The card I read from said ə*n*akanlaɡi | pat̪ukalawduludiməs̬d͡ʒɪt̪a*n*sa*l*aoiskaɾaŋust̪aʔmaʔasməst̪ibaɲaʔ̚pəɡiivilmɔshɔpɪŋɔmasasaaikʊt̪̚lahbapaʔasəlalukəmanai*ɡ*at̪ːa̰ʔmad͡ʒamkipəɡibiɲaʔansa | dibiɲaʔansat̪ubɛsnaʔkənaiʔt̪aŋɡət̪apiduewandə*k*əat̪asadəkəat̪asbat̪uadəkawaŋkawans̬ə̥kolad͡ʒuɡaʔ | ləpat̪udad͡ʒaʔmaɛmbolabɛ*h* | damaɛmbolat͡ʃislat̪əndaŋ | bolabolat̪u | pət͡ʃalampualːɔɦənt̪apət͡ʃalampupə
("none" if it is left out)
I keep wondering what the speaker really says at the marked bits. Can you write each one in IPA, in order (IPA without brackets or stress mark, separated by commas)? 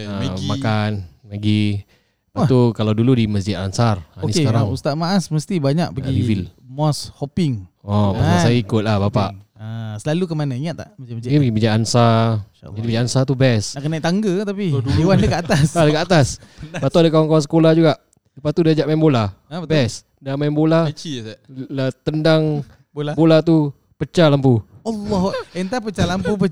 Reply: m, n, r, ŋ, k, s